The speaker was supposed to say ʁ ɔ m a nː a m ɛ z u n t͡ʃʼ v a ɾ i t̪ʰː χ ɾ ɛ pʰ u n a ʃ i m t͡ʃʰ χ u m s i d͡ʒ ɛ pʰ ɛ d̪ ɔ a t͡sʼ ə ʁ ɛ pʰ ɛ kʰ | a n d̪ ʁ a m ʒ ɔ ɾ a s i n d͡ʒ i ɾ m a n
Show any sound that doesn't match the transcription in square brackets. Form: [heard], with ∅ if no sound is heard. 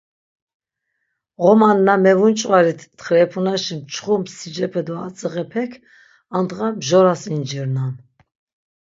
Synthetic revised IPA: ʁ ɔ m a nː a m ɛ [v] u n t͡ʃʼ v a ɾ i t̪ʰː χ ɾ ɛ pʰ u n a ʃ i m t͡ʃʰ χ u m s i d͡ʒ ɛ pʰ ɛ d̪ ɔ a t͡sʼ ə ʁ ɛ pʰ ɛ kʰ | a n d̪ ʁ a m ʒ ɔ ɾ a s i n d͡ʒ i ɾ [n] a n